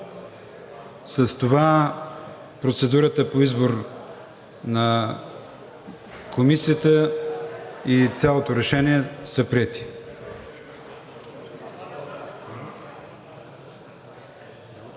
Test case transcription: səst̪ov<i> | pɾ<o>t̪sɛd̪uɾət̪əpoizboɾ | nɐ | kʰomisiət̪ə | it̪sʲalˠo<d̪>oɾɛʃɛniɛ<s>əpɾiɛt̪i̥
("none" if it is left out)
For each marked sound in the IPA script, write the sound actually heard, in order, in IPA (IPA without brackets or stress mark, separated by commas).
a, o, t̪, s